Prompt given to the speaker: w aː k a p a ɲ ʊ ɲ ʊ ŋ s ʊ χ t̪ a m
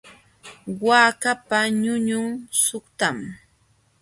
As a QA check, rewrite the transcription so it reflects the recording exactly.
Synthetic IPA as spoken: w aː k a p a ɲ ʊ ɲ ʊ ŋ s ʊ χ t̪ a m